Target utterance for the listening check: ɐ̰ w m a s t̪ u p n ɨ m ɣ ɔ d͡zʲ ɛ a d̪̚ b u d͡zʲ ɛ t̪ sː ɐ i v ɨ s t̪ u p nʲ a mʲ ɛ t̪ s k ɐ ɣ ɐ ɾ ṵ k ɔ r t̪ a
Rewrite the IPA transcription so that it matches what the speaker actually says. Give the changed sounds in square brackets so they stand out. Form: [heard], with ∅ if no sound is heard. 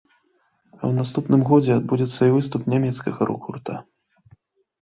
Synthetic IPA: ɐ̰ w [n] a s t̪ u p n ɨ m ɣ ɔ d͡zʲ ɛ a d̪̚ b u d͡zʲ ɛ t̪ sː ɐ i v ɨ s t̪ u p nʲ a mʲ ɛ t̪ s k ɐ ɣ ɐ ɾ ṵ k [u] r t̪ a